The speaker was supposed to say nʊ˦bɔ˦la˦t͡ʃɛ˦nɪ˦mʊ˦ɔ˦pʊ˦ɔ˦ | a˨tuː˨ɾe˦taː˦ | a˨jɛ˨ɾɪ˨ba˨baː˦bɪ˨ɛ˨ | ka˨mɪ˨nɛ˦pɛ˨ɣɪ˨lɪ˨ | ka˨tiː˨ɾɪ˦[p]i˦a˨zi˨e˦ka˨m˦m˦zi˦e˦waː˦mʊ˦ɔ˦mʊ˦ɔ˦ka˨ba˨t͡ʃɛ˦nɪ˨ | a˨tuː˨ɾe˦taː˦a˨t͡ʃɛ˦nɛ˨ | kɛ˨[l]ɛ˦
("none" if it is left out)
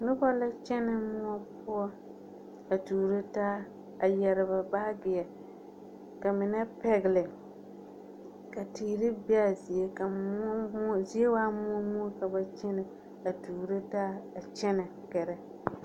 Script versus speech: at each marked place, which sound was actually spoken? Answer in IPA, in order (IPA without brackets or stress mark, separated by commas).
b, ɾ